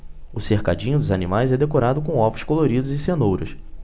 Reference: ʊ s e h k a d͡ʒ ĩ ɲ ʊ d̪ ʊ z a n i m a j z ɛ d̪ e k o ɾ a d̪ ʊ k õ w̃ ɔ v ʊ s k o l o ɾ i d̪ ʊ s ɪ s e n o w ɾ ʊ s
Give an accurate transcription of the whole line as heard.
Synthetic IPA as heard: ʊ s e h k a d͡ʒ ĩ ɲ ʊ d̪ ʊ z a n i m a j z ɛ d̪ e k o ɾ a d̪ ʊ k õ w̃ ɔ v ʊ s k o l o ɾ i d̪ ʊ z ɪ s e n o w ɾ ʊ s